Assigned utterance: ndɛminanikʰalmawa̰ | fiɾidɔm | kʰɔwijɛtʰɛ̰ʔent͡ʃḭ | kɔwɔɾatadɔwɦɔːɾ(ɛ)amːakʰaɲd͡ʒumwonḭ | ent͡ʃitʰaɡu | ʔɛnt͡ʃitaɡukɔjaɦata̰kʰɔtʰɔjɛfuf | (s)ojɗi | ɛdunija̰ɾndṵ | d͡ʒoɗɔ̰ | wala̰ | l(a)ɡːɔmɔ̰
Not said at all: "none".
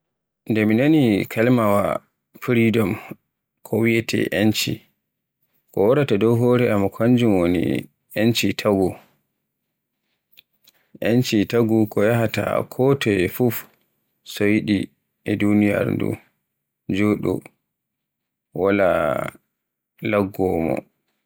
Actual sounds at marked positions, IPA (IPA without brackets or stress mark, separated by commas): ɛ, s, a